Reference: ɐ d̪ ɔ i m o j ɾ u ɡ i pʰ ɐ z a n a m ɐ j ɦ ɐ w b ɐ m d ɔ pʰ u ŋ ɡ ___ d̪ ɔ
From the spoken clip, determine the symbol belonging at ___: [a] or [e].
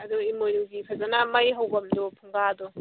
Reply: a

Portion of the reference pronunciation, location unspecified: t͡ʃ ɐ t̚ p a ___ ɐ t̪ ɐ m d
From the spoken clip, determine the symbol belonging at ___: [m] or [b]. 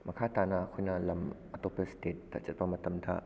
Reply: m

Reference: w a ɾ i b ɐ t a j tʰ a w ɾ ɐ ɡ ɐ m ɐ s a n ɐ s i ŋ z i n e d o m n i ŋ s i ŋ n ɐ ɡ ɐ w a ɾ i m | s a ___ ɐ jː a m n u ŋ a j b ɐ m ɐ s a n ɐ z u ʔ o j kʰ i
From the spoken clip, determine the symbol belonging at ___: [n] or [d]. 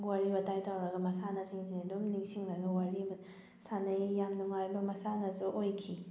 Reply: n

